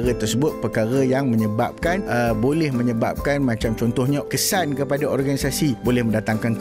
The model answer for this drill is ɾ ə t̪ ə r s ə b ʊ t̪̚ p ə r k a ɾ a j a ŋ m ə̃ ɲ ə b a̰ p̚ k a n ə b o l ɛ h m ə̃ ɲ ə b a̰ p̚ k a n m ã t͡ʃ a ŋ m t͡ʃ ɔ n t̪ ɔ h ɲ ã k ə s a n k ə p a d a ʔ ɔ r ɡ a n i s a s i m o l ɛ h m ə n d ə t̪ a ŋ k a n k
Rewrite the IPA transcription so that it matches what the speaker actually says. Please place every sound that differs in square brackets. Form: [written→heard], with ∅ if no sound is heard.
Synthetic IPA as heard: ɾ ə t̪ ə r s ə b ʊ t̪̚ p ə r k a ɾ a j a ŋ m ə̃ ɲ ə b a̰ p̚ k a n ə b o l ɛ h m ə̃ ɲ ə b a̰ p̚ k a n m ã t͡ʃ a [ŋ→∅] m t͡ʃ ɔ n t̪ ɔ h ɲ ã k ə s a n k ə p a d a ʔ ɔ r ɡ a n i s a s i [m→b] o l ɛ h m ə n d [ə→a] t̪ a ŋ k a n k